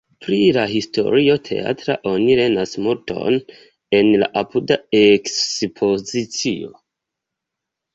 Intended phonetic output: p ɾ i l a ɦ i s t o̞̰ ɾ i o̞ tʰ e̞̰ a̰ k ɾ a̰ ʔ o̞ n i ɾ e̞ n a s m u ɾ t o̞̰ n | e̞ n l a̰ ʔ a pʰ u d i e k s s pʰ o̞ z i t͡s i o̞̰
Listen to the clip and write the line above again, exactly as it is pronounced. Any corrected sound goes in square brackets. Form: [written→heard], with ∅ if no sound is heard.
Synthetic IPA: p ɾ i l a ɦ i s t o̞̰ ɾ i o̞ tʰ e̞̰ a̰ [k→t] ɾ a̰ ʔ o̞ n i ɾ e̞ n a s m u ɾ t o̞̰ n | e̞ n l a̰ ʔ a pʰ u d [i→a] e k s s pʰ o̞ z i t͡s i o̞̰